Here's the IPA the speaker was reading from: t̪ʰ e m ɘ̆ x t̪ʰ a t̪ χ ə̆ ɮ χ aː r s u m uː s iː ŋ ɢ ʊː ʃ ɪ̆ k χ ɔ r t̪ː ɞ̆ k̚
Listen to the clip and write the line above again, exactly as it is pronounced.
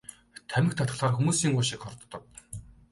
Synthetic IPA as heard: t̪ʰ æ m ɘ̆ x t̪ʰ a t̪ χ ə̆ ɮ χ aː r x u m uː s iː ŋ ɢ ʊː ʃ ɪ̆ k χ ɔ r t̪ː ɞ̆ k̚